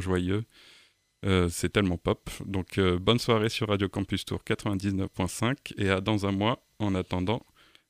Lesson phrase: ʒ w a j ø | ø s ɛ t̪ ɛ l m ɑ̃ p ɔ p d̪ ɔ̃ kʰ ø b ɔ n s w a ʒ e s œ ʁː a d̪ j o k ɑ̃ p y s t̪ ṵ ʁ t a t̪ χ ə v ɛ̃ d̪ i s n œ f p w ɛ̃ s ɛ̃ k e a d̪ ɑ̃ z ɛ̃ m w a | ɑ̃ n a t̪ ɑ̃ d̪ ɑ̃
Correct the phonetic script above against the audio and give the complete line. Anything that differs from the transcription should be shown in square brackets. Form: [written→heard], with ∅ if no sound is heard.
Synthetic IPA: ʒ w a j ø | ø s ɛ t̪ ɛ l m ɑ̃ p ɔ p d̪ ɔ̃ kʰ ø b ɔ n s w a [ʒ→ʁ] e s [œ→y] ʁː a d̪ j o k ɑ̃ p y s t̪ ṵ ʁ [t→k] a t̪ χ ə v ɛ̃ d̪ i [s→z] n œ f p w ɛ̃ s ɛ̃ k e a d̪ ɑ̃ z ɛ̃ m w a | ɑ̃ n a t̪ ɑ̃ d̪ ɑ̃